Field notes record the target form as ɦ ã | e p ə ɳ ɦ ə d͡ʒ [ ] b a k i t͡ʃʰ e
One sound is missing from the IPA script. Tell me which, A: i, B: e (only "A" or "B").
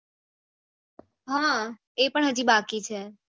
A